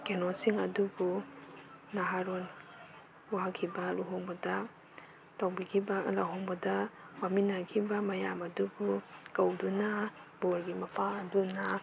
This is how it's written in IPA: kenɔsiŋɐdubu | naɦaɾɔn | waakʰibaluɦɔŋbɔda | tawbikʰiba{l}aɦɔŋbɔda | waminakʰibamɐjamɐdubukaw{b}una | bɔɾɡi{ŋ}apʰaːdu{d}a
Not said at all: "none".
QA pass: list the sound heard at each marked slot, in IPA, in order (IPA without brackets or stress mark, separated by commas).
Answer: l, d, m, n